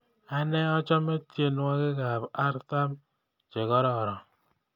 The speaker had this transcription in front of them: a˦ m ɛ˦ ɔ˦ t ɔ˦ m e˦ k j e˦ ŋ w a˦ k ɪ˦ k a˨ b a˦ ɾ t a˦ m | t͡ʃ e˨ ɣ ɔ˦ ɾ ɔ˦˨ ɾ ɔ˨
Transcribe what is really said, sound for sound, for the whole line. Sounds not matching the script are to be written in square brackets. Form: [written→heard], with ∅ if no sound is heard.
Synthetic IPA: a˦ [m→n] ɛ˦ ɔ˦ [t→t͡ʃ] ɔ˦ m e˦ [k→t] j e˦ [ŋ→n] w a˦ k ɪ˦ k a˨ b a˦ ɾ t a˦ m | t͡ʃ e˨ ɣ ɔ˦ ɾ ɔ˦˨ ɾ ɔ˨

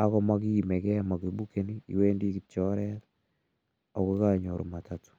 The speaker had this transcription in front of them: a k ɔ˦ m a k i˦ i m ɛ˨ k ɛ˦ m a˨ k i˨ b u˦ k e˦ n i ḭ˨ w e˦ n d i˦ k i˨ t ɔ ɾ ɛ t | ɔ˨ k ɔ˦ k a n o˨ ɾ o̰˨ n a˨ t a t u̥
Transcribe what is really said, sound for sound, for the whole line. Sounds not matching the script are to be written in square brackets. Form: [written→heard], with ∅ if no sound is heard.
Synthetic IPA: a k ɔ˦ m a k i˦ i m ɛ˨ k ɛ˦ m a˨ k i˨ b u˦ k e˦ n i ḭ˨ w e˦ n d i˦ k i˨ [t→t͡ʃ] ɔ ɾ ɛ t | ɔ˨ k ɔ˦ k a [n→ɲ] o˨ ɾ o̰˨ [n→m] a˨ t a t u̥

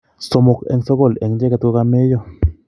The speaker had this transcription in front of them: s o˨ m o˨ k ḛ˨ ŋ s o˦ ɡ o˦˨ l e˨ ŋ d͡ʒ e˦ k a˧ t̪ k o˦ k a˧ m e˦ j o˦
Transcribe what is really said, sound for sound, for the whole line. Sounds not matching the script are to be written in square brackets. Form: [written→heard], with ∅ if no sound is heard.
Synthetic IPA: s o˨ m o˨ k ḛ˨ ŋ s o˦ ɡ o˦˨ l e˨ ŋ d͡ʒ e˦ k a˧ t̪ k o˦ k a˧ m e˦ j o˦

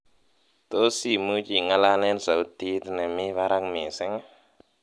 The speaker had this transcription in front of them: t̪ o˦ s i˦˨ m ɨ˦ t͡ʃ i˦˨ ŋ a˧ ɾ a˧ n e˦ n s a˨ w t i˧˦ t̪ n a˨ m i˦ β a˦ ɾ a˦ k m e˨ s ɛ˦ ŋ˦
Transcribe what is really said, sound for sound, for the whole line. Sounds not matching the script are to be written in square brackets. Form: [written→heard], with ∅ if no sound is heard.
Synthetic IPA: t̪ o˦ s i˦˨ m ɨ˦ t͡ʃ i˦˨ ŋ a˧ [ɾ→l] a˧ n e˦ n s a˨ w t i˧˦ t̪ n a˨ m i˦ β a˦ ɾ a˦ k m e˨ s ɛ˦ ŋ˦

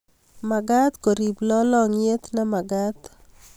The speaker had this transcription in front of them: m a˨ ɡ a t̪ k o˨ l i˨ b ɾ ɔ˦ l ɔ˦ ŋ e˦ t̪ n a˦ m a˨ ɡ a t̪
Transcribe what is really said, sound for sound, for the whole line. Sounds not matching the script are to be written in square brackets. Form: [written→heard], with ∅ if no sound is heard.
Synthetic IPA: m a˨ ɡ a t̪ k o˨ [l→ɾ] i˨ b [ɾ→l] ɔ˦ l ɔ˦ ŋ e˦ t̪ n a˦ m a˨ ɡ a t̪

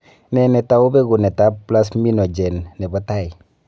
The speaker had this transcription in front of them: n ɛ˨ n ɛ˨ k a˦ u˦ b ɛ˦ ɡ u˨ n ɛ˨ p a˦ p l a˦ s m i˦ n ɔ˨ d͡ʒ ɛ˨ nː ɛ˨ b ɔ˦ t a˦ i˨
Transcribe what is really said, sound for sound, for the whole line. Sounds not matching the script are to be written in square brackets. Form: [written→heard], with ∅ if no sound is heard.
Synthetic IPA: n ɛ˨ n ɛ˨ [k→t] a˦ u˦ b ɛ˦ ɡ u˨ n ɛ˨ [p→t] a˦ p l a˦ s m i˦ n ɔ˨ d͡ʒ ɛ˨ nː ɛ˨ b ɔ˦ t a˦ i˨

